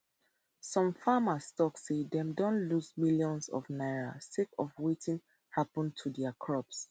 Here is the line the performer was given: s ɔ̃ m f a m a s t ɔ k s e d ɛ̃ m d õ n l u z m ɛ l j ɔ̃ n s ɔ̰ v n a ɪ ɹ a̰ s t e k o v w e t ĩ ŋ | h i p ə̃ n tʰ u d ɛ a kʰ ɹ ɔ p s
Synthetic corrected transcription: s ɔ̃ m f a m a s t ɔ k s e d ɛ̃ m d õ n l u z m i l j ɔ̃ n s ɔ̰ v n a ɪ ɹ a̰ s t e k ɔ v w e t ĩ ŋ | h a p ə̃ n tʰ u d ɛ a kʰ ɹ ɔ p s